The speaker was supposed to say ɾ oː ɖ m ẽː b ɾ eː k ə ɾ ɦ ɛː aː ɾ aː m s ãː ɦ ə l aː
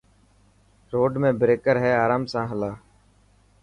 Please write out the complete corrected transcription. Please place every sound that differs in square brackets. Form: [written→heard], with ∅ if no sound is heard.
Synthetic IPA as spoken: ɾ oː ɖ m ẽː b ɾ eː k ə ɾ ɦ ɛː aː ɾ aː m s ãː ɦ ə l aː